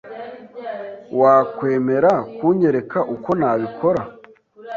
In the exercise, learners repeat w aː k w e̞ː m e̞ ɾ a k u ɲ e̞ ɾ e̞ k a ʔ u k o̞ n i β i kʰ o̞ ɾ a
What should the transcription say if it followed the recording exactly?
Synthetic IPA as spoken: w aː k w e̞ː m e̞ ɾ a k u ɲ e̞ ɾ e̞ k a ʔ u k o̞ n a β i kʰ o̞ ɾ a